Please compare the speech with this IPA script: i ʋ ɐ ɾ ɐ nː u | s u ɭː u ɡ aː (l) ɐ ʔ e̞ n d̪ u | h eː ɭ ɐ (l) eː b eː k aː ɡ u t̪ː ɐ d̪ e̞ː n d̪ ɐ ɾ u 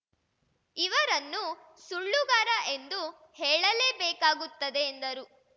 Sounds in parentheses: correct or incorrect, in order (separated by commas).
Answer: incorrect, correct